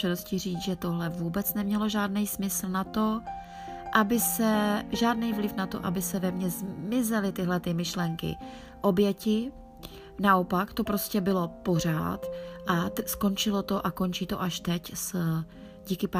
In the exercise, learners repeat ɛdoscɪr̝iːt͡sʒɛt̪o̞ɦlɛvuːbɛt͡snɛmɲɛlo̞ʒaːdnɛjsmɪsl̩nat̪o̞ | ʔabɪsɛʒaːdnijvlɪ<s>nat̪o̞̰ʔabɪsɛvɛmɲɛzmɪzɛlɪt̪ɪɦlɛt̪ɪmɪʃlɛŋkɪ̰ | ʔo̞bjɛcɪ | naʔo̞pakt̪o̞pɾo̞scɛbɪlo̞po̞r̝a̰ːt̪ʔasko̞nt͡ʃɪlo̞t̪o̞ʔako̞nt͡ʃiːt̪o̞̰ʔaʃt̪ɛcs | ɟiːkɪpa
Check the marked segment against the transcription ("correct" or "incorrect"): incorrect